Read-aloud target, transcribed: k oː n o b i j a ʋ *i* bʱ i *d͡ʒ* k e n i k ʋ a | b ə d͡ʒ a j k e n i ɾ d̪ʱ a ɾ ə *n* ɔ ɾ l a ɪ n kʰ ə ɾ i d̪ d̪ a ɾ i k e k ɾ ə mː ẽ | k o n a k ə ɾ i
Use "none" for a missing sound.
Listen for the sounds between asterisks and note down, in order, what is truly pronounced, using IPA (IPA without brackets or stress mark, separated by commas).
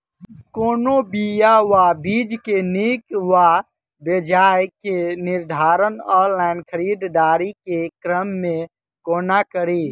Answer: a, d͡ʒ, n